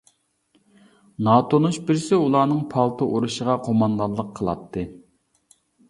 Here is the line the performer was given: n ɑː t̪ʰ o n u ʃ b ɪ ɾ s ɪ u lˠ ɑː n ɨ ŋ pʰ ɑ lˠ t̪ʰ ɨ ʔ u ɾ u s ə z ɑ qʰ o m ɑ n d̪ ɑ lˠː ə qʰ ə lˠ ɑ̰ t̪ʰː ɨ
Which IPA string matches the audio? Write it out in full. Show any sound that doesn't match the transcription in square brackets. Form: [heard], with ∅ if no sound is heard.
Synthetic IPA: n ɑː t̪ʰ o n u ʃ b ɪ ɾ s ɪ u lˠ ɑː n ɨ ŋ pʰ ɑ lˠ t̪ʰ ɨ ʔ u ɾ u [ʃ] ə [ʁ] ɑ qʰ o m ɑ n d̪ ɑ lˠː ə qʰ ə lˠ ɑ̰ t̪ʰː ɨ